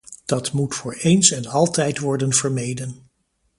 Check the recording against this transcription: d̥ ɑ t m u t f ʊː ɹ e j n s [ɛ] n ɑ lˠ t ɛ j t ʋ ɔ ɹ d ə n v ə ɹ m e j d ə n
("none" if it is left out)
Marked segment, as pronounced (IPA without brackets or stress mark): ɛ